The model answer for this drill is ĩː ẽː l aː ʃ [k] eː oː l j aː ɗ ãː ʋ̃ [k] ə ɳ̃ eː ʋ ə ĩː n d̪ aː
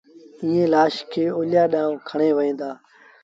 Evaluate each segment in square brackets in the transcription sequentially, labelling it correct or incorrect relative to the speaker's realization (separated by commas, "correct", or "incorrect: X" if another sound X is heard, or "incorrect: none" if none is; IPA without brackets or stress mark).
incorrect: kʰ, incorrect: kʰ